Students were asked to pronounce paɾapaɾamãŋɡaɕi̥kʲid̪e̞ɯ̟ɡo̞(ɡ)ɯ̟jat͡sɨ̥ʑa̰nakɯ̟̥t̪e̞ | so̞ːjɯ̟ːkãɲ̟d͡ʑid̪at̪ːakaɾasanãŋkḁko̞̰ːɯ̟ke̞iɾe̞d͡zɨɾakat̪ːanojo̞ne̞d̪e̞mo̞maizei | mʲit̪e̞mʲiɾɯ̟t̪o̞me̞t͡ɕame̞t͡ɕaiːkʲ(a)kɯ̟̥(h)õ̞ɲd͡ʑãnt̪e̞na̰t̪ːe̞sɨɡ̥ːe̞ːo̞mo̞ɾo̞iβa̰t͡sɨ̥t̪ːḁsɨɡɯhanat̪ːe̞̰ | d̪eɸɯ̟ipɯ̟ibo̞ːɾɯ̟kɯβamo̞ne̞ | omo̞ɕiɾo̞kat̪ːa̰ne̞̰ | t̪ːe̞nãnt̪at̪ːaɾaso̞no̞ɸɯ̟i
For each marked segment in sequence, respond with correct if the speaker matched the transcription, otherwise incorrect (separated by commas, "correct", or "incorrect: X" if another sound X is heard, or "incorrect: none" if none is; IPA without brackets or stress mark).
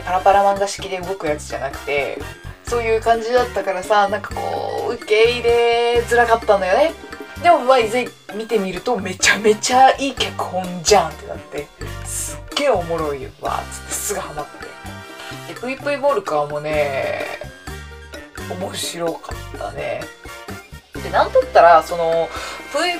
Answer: incorrect: k, correct, correct